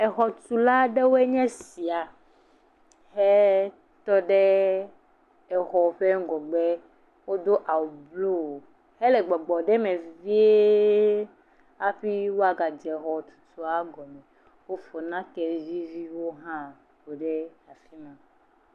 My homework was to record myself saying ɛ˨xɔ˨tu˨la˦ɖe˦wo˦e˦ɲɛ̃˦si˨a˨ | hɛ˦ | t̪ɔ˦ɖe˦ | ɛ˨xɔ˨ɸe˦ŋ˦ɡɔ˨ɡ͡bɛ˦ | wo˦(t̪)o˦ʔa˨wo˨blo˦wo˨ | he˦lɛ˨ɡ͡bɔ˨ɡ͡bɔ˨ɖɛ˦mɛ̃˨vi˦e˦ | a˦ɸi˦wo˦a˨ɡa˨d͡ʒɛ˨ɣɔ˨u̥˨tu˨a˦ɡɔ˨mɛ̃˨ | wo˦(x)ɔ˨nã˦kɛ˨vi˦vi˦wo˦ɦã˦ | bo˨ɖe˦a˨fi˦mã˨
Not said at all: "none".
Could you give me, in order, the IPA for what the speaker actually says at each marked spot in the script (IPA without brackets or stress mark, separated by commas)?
d̪, f